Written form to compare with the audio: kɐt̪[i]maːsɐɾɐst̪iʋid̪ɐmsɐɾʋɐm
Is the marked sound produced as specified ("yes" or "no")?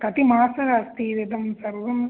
yes